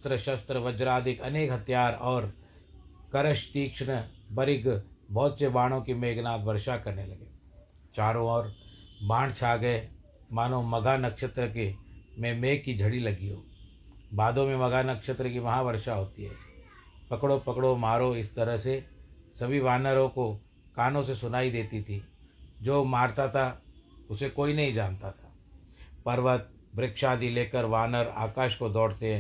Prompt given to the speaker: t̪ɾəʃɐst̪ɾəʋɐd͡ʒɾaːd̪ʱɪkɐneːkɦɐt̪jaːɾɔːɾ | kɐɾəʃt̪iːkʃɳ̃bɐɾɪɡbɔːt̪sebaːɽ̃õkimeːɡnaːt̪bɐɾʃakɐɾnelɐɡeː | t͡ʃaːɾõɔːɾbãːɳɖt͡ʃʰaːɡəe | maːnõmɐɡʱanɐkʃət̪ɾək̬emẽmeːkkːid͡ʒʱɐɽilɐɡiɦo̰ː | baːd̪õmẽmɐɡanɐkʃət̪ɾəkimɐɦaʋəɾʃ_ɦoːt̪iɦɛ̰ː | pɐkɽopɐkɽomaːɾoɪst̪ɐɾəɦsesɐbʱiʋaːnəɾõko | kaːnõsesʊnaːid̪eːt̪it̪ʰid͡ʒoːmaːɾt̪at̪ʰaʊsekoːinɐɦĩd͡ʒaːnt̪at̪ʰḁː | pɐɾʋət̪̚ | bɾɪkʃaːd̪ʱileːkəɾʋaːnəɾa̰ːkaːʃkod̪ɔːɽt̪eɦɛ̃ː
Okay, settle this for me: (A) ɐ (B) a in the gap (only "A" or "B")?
B